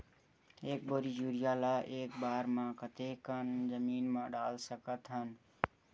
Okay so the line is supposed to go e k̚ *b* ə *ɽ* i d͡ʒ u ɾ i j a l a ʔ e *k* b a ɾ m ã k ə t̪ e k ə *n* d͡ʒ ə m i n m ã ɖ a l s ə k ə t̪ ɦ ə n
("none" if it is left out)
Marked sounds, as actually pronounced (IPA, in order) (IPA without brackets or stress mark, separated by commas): b, ɾ, k, n